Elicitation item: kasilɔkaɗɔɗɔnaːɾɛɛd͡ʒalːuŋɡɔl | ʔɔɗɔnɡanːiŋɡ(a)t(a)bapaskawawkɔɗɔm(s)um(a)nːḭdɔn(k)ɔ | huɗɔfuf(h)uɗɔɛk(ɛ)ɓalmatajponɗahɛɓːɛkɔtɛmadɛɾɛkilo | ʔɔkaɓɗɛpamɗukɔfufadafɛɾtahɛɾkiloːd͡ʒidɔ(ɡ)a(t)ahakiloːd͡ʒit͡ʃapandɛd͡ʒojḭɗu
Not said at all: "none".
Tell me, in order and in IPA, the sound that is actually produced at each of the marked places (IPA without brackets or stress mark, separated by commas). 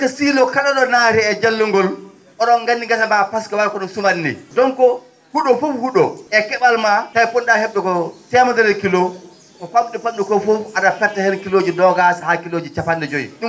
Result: a, a, s, a, k, h, ɛ, ɡ, s